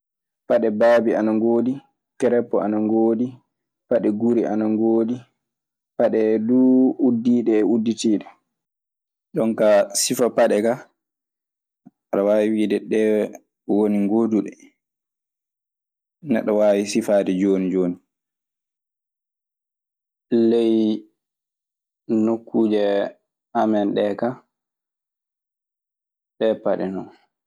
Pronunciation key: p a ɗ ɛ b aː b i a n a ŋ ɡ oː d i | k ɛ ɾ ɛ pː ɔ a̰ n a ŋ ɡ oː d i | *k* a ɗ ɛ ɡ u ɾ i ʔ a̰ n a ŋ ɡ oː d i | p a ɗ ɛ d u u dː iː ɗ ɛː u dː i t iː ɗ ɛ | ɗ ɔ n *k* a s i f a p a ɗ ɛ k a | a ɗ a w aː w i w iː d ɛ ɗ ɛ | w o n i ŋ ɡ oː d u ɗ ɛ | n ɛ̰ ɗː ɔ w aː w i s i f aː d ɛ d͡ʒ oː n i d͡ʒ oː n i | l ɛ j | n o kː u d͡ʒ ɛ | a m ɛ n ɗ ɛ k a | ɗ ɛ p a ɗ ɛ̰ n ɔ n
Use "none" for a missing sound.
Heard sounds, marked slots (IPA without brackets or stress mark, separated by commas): p, k